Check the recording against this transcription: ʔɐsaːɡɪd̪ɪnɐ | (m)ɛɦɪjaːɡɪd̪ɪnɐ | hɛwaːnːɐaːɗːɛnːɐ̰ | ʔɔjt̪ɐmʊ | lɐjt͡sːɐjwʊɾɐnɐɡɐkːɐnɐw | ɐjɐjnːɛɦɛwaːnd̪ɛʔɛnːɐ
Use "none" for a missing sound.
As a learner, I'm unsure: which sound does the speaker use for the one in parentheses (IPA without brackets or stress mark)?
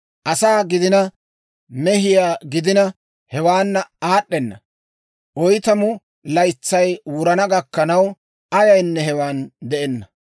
m